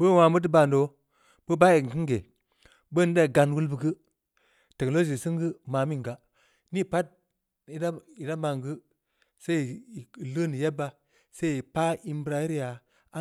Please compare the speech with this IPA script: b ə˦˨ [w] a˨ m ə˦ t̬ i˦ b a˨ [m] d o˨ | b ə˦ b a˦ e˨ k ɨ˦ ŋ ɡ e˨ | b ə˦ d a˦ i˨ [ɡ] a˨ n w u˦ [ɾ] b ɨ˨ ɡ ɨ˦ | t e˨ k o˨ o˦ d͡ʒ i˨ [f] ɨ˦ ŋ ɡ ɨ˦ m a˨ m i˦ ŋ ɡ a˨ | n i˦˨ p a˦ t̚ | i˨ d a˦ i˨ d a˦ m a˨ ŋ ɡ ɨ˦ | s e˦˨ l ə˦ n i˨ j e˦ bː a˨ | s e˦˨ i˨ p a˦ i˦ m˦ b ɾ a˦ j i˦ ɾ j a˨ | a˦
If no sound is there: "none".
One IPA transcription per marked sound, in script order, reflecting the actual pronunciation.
w, n, ɡ, l, s

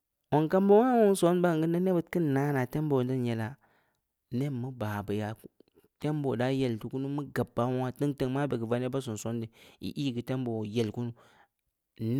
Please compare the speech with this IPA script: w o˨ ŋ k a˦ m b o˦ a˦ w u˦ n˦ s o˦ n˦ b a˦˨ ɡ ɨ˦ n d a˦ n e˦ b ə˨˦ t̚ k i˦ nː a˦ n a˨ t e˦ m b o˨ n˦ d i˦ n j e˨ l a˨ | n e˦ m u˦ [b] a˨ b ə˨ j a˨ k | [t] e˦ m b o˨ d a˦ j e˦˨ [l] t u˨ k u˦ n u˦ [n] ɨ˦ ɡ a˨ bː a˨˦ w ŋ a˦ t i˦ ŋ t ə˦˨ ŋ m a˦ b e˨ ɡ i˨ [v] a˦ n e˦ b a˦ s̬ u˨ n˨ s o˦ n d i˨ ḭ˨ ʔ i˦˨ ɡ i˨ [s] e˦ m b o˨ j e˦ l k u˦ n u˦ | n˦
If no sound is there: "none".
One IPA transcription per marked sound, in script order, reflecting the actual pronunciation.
b, t, l, m, v, t

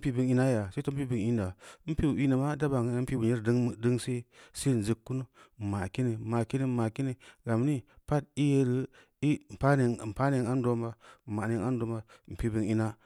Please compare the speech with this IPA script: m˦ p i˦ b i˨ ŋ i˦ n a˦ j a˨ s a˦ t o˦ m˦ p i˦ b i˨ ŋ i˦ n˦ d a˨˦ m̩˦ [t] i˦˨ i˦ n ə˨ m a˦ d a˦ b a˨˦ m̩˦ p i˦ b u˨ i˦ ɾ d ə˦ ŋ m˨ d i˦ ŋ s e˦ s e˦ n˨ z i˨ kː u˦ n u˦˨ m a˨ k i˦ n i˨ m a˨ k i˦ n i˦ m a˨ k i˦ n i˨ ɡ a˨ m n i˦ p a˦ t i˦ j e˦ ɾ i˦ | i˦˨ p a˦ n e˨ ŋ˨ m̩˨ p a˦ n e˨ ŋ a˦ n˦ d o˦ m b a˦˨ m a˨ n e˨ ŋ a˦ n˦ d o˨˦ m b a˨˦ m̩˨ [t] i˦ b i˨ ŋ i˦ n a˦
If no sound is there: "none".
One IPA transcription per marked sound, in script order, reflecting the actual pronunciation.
p, p

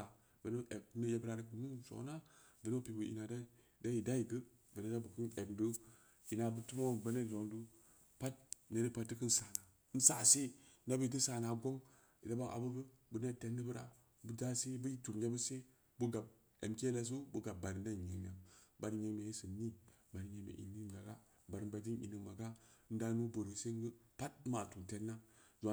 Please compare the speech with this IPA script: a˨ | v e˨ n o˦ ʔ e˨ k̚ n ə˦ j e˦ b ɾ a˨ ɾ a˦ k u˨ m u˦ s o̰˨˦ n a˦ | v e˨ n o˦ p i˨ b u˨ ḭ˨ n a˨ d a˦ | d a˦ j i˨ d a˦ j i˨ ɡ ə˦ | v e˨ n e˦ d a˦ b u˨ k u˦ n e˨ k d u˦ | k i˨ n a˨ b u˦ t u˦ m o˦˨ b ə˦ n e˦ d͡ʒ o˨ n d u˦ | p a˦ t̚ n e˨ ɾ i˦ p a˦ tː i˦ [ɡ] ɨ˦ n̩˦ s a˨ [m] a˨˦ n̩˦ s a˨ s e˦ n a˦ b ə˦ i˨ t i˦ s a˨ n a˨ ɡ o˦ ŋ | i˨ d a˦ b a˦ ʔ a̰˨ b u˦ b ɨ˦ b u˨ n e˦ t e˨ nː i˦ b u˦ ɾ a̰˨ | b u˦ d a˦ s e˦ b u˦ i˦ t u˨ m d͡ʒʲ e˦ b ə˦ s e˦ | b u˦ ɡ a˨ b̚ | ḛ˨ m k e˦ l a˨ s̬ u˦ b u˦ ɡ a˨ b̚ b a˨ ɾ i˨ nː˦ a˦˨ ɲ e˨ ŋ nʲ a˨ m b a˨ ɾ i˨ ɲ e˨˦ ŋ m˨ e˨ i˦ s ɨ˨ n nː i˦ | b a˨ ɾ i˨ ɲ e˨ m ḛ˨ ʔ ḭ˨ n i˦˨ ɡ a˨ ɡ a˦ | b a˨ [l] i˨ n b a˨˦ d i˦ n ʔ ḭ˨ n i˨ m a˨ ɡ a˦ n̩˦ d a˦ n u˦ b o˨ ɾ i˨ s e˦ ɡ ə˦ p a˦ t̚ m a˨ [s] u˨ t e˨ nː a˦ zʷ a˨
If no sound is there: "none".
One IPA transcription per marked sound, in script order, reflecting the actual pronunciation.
k, n, ɾ, t

